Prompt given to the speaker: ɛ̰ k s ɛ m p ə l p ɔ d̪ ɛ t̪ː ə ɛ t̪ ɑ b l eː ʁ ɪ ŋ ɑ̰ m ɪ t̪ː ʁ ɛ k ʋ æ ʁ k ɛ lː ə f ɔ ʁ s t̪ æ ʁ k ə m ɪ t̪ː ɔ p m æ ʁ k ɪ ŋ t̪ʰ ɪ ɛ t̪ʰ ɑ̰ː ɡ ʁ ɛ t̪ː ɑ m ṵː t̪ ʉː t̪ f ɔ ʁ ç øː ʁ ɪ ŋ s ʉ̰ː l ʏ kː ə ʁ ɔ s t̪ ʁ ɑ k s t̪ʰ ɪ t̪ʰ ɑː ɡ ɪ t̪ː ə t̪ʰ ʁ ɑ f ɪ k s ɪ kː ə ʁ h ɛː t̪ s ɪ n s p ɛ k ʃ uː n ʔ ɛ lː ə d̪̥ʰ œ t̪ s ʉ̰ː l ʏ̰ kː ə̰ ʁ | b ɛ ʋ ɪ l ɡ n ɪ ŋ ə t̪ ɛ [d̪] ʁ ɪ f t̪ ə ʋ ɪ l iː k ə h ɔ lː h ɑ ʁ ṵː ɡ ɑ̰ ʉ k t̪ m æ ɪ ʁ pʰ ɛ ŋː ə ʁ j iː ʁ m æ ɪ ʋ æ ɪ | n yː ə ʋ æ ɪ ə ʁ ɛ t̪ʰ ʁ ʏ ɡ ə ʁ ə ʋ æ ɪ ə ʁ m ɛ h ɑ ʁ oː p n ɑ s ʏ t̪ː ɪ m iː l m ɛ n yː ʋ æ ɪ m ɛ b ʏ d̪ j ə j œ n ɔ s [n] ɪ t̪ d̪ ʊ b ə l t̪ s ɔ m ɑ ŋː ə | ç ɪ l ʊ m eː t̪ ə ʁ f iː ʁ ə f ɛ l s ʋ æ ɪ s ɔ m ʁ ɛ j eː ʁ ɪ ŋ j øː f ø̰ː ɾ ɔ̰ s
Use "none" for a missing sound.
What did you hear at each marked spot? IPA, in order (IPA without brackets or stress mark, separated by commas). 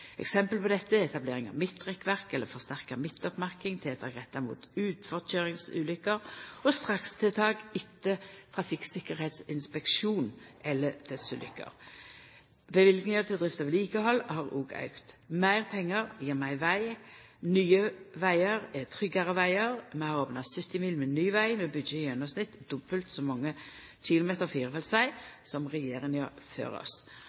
d̪, n